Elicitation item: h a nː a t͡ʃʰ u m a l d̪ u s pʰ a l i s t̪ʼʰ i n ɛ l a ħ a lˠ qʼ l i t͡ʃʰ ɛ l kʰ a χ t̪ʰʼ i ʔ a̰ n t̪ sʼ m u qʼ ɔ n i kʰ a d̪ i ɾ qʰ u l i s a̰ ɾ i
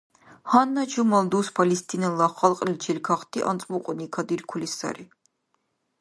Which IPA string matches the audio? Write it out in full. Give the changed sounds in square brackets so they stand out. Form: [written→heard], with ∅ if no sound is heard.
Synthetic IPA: h a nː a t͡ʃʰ u m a l d̪ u s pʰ a l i s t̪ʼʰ i n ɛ l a [ħ→χ] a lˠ qʼ l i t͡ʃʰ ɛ l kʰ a χ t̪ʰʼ i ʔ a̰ n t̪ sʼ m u qʼ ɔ n i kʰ a d̪ i ɾ [qʰ→kʰ] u l i s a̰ ɾ i